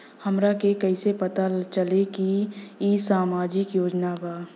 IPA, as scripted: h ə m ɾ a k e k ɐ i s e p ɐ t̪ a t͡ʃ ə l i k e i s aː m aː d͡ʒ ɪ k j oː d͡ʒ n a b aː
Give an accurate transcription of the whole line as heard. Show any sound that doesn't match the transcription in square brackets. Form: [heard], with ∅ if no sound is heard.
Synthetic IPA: h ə m ɾ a k e k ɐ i s e p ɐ t̪ a t͡ʃ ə l [e] k [i] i s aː m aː d͡ʒ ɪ k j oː d͡ʒ n a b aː